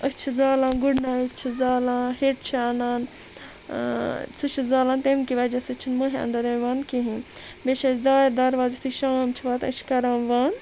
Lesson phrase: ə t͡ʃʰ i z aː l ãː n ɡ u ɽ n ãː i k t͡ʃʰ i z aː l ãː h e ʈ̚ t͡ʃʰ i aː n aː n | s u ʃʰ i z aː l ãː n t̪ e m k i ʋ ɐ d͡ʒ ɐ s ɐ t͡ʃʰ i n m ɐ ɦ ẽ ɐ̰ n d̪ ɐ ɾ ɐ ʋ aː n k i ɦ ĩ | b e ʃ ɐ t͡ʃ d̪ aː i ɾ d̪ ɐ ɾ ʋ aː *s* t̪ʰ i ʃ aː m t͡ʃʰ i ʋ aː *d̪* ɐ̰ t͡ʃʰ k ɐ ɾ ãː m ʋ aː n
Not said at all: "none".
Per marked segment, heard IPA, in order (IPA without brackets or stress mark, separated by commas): z, t̪